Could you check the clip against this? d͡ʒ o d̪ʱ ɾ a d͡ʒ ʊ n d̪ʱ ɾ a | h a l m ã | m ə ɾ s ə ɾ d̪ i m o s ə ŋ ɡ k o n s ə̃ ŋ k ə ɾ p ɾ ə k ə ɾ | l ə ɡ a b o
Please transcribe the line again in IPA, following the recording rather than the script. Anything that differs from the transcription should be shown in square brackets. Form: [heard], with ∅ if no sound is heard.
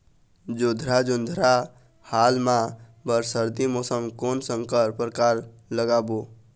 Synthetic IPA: d͡ʒ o d̪ʱ ɾ a d͡ʒ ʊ n d̪ʱ ɾ a | h a l m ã | [b] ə ɾ s ə ɾ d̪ i m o s ə ŋ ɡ k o n s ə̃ ŋ k ə ɾ p ɾ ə k [a] ɾ | l ə ɡ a b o